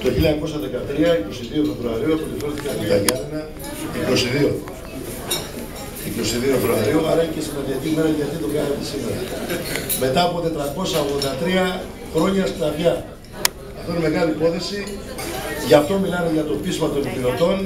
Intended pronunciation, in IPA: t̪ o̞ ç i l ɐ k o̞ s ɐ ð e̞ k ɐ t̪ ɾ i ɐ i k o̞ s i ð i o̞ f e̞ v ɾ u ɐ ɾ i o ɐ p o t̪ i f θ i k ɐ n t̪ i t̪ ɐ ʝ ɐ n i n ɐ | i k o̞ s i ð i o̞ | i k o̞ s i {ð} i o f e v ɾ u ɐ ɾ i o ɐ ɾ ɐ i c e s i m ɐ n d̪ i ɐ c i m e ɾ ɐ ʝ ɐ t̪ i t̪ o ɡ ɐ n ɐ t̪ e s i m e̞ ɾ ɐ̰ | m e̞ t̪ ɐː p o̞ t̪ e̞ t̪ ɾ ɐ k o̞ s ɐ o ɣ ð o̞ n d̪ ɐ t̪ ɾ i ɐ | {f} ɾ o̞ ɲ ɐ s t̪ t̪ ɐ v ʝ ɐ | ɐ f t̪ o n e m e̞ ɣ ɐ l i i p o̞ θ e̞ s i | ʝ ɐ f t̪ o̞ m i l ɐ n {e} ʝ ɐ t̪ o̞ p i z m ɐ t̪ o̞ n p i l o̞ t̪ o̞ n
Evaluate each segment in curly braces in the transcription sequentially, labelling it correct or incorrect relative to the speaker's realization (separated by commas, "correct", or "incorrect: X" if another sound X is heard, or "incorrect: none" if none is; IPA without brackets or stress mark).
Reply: correct, incorrect: x, correct